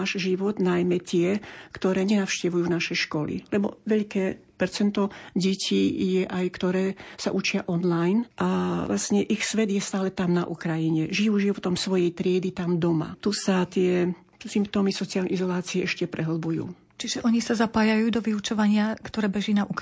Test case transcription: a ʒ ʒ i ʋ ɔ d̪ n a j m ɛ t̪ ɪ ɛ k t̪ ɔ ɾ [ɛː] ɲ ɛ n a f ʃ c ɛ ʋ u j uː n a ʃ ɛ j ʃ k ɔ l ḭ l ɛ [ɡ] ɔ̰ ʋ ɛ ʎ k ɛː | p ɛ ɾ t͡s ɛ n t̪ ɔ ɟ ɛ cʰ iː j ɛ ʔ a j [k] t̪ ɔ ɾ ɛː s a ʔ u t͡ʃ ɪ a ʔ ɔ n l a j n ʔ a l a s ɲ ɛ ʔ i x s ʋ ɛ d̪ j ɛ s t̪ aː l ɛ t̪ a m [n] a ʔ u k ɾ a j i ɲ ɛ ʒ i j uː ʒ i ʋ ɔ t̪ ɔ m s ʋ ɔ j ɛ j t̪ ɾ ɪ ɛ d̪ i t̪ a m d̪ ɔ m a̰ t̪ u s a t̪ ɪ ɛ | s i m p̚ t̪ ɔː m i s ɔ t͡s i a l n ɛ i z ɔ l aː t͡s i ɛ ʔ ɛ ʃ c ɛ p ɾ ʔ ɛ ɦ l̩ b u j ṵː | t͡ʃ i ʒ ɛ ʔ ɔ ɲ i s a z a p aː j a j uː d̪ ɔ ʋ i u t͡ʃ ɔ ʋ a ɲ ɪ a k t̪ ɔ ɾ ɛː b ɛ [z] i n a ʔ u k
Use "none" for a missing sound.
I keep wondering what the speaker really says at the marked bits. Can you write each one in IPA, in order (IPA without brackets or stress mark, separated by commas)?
ɛː, b, k, n, ʒ